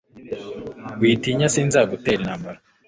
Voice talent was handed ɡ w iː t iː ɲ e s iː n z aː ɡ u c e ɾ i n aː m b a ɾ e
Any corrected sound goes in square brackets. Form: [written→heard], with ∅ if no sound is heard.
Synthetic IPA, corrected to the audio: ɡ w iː t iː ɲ [e→a] s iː n z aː ɡ u [c→t] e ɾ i n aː m b a ɾ [e→a]